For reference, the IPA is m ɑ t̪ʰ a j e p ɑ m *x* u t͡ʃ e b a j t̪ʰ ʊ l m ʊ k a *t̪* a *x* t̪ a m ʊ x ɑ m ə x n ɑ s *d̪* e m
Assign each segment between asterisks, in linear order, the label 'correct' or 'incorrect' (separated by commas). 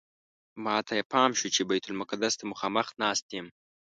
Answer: incorrect, incorrect, incorrect, incorrect